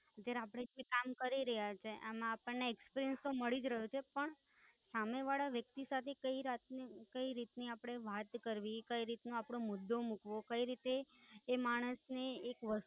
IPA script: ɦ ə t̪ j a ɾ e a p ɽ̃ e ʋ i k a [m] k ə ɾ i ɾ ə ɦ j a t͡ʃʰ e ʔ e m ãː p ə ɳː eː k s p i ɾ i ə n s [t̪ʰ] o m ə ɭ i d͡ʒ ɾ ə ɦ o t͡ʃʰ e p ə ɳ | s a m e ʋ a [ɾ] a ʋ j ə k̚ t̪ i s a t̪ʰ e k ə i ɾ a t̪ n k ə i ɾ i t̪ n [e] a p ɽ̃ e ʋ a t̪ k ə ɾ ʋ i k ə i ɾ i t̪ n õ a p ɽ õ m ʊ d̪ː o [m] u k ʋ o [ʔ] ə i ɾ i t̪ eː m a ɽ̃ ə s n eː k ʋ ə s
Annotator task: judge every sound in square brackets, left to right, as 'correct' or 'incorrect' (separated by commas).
correct, incorrect, incorrect, incorrect, correct, incorrect